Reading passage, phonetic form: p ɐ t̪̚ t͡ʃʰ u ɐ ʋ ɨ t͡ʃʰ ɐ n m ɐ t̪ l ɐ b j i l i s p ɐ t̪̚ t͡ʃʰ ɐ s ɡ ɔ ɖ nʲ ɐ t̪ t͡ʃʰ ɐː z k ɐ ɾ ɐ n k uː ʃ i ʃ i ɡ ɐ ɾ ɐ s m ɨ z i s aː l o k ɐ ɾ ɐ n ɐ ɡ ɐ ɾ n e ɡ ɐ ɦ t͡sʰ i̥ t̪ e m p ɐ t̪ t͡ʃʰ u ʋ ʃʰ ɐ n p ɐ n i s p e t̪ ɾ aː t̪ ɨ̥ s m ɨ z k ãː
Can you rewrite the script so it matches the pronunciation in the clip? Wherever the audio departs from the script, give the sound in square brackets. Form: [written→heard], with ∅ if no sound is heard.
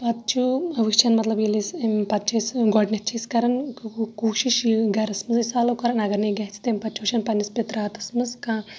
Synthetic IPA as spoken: p ɐ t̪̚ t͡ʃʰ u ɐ ʋ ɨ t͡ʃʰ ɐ n m ɐ t̪ l ɐ b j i l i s p ɐ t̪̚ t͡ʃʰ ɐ s ɡ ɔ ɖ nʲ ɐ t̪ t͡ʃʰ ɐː [z→s] k ɐ ɾ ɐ n k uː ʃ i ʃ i ɡ ɐ ɾ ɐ s m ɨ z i s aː l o k ɐ ɾ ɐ n ɐ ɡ ɐ ɾ n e ɡ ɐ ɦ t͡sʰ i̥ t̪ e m p ɐ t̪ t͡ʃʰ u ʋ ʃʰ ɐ n p ɐ n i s p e t̪ ɾ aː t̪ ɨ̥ s m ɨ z k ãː